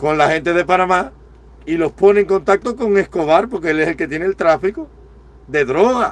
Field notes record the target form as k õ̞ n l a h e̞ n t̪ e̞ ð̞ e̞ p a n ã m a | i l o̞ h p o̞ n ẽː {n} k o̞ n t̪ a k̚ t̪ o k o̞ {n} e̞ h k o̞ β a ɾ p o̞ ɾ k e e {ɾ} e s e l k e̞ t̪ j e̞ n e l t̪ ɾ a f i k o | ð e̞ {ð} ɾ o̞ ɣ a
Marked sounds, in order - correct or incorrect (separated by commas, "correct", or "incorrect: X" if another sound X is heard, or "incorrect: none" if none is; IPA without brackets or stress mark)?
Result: incorrect: ŋ, incorrect: ŋ, incorrect: l, correct